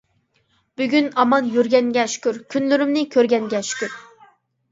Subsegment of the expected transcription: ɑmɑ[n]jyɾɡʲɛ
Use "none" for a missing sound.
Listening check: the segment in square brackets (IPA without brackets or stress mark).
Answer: n